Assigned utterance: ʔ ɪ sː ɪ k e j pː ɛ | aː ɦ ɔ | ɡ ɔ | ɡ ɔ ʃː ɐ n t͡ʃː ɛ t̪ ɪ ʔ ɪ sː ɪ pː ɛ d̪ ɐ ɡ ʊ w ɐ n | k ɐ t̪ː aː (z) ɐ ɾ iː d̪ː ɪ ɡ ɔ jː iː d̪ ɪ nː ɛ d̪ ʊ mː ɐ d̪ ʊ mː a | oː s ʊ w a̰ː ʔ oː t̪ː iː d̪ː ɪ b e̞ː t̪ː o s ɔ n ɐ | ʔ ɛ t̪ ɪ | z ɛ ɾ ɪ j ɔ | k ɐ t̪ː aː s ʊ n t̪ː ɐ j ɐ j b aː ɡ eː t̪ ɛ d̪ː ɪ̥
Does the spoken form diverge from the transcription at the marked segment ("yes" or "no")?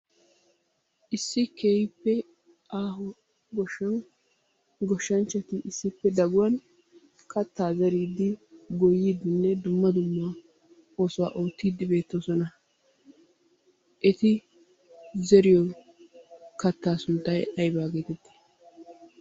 no